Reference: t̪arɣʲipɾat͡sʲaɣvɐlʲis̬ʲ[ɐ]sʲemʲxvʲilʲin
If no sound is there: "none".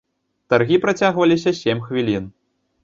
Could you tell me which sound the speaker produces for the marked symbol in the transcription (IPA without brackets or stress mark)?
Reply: ɐ